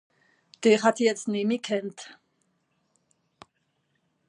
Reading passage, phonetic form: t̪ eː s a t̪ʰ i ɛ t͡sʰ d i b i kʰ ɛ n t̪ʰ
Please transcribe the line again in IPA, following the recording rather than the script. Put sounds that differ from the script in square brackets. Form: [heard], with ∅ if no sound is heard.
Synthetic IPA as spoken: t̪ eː [χ] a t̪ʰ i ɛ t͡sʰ [n] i [m] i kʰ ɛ n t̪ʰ